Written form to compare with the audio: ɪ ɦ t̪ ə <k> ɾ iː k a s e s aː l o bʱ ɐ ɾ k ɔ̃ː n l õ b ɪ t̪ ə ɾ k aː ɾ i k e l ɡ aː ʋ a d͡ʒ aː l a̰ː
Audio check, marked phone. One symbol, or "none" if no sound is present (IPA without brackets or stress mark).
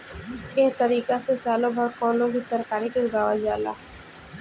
none